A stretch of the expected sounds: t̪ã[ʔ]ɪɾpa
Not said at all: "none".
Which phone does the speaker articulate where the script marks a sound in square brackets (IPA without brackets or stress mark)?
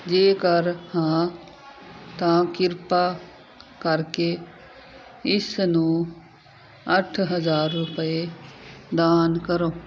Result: k